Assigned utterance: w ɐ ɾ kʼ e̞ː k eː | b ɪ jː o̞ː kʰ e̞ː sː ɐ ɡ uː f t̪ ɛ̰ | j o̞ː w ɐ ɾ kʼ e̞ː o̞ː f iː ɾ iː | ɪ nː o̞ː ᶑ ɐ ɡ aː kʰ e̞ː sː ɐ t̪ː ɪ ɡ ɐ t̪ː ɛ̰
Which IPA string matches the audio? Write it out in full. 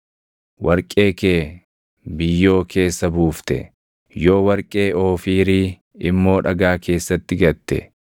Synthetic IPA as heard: w ɐ ɾ kʼ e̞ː k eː | b ɪ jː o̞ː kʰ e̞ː sː ɐ b uː f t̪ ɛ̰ | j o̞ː w ɐ ɾ kʼ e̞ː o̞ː f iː ɾ iː | ɪ mː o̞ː ᶑ ɐ ɡ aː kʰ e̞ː sː ɐ t̪ː ɪ ɡ ɐ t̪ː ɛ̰